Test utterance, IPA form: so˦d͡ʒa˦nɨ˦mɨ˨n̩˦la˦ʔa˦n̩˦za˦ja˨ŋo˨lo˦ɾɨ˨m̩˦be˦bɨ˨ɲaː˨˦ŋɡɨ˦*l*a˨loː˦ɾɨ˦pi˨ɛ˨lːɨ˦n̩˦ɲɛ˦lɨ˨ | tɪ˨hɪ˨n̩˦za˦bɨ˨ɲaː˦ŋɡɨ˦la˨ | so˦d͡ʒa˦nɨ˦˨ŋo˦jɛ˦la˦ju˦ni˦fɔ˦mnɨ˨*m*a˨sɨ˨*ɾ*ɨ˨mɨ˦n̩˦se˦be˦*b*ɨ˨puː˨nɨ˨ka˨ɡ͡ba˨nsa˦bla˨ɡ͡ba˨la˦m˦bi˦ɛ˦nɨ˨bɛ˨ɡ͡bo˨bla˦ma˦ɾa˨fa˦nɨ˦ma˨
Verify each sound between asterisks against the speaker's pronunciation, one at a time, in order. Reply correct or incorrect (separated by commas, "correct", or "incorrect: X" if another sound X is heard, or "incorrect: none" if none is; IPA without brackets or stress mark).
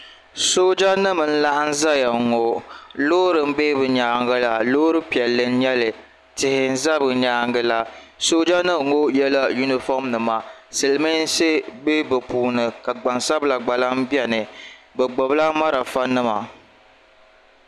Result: correct, correct, incorrect: l, correct